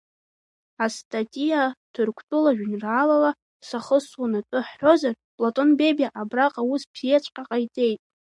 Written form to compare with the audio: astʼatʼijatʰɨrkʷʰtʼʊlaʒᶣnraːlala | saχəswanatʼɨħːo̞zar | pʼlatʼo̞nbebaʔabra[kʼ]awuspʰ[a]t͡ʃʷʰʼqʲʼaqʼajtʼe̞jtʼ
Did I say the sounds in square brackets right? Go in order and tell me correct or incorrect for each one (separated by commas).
incorrect, incorrect